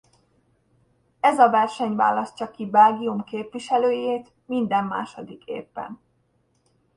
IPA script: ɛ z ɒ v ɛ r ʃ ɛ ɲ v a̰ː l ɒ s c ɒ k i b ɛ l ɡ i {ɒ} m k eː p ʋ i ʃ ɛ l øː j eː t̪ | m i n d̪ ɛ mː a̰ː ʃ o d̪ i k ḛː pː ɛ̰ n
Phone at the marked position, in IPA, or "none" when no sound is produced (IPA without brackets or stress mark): u